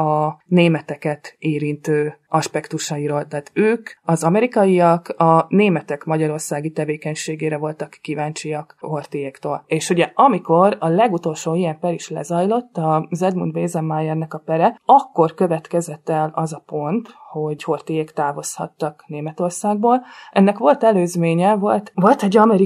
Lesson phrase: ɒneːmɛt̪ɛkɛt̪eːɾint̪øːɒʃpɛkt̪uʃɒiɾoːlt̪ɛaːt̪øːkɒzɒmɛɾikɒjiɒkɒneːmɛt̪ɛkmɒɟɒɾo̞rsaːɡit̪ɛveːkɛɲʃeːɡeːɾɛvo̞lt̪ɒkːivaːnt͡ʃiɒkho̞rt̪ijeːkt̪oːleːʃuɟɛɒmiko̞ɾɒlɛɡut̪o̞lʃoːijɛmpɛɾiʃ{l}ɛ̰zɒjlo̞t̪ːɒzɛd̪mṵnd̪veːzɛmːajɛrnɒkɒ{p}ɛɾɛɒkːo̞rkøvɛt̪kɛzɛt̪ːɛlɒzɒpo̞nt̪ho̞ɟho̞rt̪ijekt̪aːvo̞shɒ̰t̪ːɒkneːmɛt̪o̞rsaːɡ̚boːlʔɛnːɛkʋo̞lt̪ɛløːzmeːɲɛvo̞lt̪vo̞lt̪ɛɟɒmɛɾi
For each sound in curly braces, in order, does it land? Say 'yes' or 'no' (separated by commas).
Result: yes, yes